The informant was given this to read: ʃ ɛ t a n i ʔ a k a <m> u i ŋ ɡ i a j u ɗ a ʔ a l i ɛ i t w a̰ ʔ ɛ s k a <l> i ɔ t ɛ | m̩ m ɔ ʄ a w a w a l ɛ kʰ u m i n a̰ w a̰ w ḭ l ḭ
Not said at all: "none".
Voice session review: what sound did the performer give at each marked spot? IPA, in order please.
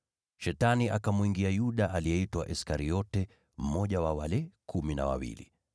m, ɾ

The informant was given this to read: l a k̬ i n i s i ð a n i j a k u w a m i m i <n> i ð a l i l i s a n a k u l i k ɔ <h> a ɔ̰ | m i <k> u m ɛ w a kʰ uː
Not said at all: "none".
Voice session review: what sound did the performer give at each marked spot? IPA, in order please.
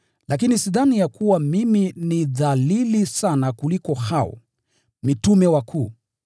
n, h, t

